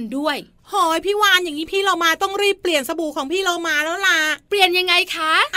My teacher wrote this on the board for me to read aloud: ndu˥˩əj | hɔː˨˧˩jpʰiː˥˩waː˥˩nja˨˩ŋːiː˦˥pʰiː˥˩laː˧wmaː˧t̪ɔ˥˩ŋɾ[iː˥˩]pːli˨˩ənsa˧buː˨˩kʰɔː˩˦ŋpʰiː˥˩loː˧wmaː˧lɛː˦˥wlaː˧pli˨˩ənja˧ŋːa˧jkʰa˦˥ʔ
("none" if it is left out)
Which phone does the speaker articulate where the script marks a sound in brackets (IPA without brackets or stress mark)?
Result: iː˥˩